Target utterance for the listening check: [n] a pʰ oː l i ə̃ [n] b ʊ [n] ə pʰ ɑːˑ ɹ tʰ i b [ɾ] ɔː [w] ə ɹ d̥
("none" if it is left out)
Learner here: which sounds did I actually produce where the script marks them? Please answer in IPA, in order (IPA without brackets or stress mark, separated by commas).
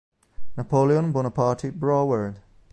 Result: n, n, n, ɹ, w